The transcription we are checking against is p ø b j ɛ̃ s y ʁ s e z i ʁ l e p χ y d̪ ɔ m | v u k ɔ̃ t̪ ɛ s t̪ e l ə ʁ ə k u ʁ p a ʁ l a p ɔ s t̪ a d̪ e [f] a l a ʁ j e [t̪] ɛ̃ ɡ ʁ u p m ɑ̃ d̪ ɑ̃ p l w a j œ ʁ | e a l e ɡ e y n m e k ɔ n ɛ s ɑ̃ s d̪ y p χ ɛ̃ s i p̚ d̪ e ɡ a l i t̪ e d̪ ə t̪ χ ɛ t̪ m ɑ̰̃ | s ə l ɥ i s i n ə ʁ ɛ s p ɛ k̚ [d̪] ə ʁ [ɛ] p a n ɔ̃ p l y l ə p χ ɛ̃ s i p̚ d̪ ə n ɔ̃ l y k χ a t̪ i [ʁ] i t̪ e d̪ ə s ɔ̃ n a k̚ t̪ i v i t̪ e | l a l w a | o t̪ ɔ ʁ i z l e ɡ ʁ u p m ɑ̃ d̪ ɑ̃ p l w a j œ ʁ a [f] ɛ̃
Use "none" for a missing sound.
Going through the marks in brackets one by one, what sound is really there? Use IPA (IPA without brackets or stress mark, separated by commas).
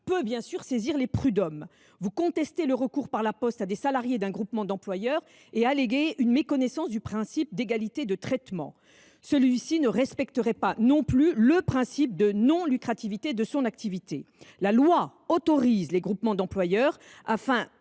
s, d̪, t̪, ɛ, v, f